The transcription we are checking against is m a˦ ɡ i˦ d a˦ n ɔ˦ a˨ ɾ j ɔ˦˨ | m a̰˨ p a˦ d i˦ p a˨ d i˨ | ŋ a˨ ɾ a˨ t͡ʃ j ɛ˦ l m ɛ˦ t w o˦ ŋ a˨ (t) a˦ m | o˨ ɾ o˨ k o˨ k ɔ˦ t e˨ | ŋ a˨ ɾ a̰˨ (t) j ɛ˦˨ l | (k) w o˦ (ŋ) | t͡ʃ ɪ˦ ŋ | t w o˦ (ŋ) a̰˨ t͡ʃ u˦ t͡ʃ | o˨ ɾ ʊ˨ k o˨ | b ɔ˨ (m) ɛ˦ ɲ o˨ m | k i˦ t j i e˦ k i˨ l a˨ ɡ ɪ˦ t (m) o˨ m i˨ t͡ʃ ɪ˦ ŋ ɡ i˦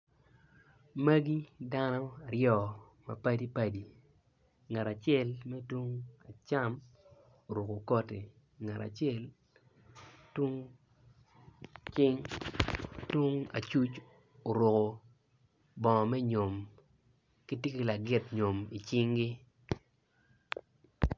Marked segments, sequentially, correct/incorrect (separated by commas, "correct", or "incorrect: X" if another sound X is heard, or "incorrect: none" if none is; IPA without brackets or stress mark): incorrect: t͡ʃ, incorrect: t͡ʃ, incorrect: t, correct, correct, correct, incorrect: ɲ